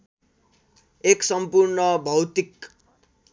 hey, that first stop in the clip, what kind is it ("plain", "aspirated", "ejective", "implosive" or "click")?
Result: plain